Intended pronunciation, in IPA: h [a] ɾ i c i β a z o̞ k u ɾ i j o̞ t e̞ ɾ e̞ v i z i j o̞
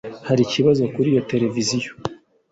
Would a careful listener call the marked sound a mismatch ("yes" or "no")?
no